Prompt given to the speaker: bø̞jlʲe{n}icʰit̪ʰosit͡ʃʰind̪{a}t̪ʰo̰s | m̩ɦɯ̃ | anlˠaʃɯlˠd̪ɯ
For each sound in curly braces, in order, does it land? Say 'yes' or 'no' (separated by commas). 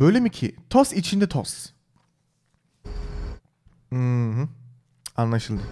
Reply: no, no